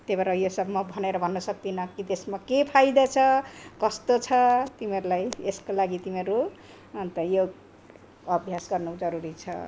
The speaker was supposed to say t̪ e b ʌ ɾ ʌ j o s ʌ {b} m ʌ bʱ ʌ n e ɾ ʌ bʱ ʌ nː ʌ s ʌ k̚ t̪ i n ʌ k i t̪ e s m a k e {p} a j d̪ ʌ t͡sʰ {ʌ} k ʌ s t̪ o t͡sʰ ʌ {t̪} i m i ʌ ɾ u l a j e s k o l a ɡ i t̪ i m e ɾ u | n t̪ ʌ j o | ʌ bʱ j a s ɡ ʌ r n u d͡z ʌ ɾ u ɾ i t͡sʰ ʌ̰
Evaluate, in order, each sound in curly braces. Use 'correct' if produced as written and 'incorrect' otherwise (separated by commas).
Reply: correct, incorrect, correct, correct